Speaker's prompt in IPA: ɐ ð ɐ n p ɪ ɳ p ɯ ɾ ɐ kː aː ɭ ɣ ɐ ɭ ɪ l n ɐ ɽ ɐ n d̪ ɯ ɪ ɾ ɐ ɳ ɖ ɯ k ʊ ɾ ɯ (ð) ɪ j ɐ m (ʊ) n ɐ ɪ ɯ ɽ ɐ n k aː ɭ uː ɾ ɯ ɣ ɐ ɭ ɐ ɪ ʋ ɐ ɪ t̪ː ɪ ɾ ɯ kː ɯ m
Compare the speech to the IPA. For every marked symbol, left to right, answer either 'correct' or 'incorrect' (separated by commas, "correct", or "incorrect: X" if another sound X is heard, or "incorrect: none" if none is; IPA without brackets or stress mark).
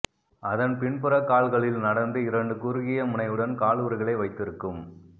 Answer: incorrect: ɣ, correct